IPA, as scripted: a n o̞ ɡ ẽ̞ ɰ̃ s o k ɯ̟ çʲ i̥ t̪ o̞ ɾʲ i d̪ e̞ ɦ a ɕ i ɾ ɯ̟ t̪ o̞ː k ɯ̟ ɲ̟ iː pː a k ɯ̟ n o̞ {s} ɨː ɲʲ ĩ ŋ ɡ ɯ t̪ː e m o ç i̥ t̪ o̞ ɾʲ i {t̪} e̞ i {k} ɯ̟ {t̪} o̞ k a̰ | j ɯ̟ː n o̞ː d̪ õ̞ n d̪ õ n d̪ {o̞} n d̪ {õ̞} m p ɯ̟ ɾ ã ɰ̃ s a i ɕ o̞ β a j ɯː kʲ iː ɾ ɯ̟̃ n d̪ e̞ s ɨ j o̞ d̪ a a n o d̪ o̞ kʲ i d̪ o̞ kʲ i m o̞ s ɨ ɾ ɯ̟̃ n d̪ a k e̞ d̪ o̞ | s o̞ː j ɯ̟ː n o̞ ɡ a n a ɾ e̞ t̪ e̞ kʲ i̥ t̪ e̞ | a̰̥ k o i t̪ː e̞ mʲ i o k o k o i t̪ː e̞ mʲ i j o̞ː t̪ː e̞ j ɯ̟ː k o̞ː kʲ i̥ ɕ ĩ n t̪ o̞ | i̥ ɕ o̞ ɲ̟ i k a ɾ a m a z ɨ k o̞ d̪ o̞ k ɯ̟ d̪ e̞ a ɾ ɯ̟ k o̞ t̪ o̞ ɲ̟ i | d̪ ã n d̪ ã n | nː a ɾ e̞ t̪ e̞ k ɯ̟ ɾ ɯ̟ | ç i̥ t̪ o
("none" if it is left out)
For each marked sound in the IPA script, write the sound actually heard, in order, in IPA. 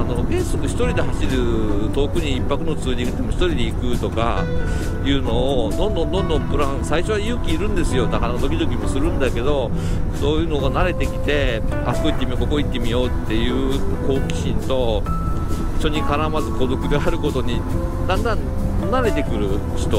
t͡s, d̪, k, t̪, õ̞, õ̞

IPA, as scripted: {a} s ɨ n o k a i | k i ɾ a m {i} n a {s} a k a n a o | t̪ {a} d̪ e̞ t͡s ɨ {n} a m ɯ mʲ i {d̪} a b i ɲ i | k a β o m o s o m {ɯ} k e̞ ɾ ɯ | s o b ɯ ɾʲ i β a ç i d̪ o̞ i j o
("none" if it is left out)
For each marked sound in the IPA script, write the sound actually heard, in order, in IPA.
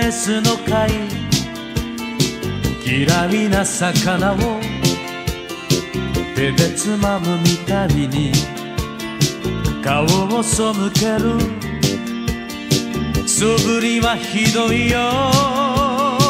e, i, s, e, m, t̪, ɯ

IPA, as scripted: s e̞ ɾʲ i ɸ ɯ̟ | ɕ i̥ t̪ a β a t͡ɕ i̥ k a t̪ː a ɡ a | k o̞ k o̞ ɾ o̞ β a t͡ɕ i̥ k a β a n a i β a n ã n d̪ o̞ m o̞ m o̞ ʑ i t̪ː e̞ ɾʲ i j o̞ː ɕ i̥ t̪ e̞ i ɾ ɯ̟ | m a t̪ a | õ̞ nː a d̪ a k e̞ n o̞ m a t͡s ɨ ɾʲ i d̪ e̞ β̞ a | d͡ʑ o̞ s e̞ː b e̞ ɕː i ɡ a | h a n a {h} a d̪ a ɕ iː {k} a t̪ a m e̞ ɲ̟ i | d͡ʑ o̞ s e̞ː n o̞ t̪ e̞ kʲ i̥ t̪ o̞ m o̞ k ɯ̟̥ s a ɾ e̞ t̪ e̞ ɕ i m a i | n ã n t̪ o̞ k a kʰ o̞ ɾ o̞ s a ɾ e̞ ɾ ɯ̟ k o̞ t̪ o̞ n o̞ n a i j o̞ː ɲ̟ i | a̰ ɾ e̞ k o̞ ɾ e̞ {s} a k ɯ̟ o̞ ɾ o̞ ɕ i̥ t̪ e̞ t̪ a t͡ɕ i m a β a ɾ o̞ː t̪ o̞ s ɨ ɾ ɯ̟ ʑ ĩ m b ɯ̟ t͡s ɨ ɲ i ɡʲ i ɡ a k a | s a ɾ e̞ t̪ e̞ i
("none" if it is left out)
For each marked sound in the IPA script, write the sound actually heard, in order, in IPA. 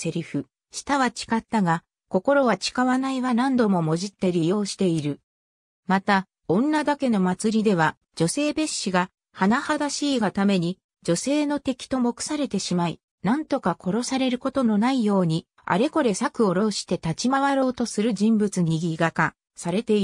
h, ɡ, s

